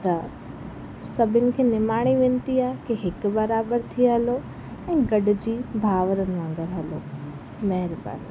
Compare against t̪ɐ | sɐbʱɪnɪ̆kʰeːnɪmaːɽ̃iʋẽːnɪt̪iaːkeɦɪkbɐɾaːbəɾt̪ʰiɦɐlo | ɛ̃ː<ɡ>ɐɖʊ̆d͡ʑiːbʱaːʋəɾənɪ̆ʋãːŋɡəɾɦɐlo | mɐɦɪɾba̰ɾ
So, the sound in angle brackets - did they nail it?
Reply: yes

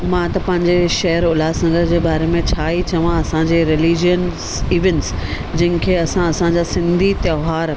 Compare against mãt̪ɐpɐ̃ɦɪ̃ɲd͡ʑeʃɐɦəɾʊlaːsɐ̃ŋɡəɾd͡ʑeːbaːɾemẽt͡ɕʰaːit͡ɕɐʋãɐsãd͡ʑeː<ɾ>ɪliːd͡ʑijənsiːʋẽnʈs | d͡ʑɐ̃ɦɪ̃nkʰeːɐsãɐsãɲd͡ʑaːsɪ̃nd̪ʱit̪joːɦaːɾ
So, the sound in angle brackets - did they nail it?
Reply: yes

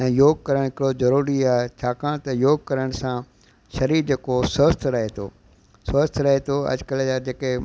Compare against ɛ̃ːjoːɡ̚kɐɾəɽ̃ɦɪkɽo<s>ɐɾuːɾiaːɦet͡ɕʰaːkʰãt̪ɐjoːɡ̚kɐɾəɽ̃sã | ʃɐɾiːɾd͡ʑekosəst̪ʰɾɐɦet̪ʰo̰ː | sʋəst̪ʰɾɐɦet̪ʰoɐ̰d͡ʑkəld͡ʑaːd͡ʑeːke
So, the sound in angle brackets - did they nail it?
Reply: no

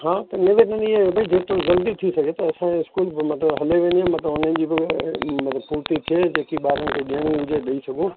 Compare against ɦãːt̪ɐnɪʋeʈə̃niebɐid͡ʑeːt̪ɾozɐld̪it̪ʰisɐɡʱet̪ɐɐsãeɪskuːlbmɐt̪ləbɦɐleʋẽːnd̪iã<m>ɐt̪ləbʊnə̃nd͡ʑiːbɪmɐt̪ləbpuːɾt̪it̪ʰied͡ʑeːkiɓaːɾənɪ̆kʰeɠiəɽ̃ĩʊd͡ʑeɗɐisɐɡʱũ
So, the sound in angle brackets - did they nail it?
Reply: yes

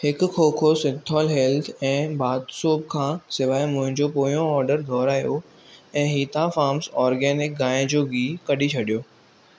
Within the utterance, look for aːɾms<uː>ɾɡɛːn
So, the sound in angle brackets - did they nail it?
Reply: no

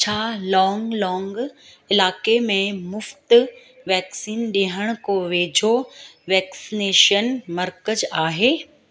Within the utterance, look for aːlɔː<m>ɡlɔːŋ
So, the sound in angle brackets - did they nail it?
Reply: no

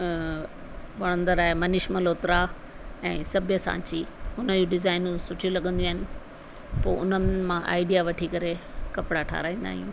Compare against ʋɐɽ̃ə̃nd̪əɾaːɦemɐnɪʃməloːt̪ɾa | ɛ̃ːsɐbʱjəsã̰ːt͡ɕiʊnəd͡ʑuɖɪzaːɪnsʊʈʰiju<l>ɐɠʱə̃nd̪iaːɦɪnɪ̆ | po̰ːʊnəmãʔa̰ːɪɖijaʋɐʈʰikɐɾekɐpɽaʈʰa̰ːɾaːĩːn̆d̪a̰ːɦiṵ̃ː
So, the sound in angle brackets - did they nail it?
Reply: yes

